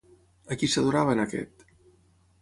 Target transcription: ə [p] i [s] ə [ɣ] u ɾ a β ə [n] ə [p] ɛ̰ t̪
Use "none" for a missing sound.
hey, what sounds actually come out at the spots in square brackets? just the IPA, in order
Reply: k, s, ð, n, k

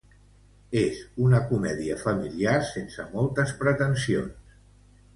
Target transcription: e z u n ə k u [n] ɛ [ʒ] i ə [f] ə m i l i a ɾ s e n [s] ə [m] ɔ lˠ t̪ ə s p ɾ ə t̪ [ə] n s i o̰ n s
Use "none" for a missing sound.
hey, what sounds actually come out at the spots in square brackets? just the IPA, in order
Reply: m, ð, f, s, m, ə

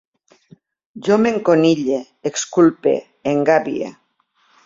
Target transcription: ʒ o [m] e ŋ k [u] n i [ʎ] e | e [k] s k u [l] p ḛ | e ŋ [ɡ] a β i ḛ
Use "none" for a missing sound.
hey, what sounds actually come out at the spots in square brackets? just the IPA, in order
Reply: m, o, ʎ, k, l, ɡ

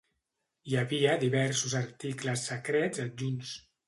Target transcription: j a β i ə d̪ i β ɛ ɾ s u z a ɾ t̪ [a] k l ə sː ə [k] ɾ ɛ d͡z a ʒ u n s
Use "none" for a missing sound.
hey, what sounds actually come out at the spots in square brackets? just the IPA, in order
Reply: i, k

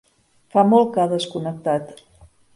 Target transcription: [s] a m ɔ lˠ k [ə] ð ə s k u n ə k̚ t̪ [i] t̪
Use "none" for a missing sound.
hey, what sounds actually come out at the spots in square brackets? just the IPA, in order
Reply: f, a, a

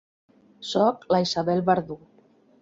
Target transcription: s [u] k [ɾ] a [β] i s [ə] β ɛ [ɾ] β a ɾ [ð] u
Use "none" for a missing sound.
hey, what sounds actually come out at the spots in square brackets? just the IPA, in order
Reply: ɔ, l, none, a, l, ð

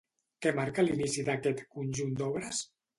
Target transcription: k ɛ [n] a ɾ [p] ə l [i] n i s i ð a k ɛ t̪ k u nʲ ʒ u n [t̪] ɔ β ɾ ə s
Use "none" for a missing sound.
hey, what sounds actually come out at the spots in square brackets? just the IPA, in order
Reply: m, k, i, d̪

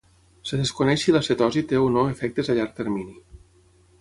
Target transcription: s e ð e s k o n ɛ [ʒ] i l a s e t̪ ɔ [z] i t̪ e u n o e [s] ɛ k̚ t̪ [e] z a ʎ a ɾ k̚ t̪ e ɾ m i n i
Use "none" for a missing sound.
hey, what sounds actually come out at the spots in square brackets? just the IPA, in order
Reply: ʃ, z, f, e

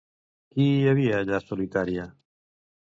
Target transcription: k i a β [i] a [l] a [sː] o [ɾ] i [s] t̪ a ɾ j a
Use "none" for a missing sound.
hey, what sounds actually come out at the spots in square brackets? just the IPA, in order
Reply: i, ʎ, s, l, none

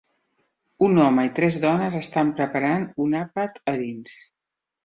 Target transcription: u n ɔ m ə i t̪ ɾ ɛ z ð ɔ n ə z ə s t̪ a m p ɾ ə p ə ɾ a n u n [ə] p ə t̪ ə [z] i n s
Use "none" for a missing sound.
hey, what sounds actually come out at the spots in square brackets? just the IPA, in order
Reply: a, ð

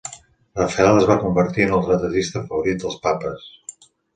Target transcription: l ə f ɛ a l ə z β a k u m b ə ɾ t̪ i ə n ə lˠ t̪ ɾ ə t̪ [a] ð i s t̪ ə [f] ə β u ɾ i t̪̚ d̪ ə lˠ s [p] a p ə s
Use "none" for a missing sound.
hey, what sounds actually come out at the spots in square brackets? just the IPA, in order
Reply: ə, f, p

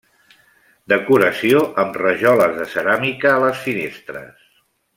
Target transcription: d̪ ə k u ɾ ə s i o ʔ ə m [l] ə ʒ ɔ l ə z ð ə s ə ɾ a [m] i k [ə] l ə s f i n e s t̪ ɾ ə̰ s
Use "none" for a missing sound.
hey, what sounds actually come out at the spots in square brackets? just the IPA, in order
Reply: r, m, əː

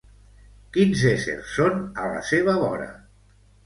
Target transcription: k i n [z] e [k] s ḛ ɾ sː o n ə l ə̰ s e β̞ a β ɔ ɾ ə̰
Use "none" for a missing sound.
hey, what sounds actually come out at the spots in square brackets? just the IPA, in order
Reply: z, none

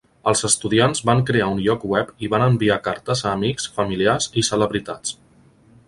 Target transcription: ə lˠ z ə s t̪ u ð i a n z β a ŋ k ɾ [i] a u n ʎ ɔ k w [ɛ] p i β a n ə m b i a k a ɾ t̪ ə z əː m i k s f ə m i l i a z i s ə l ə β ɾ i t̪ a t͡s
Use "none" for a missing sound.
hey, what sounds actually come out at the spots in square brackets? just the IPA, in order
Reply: e, ɛ

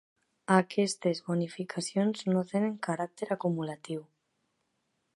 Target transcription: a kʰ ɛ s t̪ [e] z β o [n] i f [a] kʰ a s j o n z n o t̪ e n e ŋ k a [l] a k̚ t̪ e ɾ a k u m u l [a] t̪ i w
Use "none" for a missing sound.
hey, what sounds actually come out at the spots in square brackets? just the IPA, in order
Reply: e, n, i, ɾ, a

